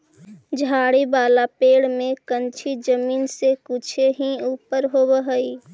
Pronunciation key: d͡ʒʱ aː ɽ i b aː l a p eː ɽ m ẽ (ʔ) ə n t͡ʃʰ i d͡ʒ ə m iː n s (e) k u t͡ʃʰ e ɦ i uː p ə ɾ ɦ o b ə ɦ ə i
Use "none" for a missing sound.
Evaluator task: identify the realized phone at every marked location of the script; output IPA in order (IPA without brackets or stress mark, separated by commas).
k, e